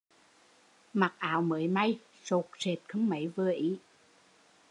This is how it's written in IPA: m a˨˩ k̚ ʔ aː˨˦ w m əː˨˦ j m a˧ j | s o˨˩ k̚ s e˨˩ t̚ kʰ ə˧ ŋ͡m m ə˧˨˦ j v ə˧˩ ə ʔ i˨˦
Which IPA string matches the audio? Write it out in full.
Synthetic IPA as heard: m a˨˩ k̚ ʔ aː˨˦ w m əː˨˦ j m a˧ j | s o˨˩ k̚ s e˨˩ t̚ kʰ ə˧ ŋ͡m m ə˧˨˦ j v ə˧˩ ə ʔ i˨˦